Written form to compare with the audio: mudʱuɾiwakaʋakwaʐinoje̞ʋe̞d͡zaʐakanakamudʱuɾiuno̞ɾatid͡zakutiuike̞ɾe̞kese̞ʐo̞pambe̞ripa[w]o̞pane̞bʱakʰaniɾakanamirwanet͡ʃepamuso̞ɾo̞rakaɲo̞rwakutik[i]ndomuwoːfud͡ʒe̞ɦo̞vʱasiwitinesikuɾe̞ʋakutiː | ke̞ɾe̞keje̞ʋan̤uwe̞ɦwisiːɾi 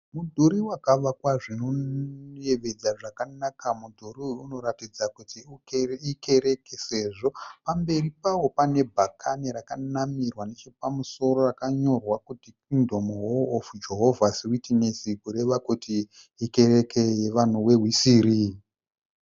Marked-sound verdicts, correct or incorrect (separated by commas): correct, correct